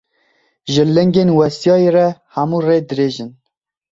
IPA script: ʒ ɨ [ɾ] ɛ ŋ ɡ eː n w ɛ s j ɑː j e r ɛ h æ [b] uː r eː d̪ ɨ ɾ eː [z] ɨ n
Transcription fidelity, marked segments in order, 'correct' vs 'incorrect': incorrect: l, incorrect: m, incorrect: ʒ

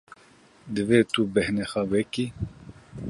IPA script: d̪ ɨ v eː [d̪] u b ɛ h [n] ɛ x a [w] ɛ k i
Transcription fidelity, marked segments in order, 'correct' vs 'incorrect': incorrect: t̪, correct, correct

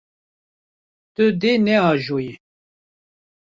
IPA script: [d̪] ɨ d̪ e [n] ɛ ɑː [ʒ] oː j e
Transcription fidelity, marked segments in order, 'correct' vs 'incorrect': incorrect: t̪, correct, correct

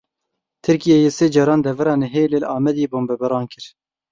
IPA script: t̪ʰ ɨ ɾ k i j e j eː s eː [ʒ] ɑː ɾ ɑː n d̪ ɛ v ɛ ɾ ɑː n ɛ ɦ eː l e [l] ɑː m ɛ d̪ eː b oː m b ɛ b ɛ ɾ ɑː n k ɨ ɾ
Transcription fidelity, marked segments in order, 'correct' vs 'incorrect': incorrect: d͡ʒ, correct

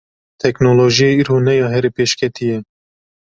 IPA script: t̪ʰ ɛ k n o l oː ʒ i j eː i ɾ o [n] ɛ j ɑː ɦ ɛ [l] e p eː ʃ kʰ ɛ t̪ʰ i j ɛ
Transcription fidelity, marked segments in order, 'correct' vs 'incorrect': correct, incorrect: ɾ

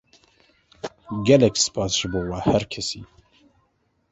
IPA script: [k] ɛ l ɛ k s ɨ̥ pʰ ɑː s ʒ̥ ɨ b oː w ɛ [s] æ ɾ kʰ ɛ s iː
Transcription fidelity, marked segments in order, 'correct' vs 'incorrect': incorrect: ɡ, incorrect: h

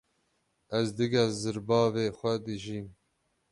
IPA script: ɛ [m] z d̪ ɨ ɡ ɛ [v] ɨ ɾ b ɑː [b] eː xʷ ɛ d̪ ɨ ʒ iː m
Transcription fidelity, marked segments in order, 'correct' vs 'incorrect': incorrect: none, incorrect: z, incorrect: v

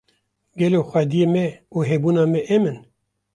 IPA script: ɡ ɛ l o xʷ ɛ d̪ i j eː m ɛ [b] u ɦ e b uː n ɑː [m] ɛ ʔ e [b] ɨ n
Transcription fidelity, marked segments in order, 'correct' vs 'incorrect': incorrect: none, correct, incorrect: m

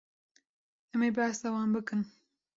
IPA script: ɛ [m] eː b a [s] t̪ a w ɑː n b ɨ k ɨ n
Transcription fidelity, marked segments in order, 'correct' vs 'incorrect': correct, correct

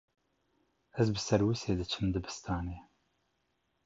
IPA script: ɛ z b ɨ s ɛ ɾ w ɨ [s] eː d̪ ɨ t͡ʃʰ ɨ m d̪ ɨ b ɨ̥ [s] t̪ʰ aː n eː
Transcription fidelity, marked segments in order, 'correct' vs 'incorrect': correct, correct

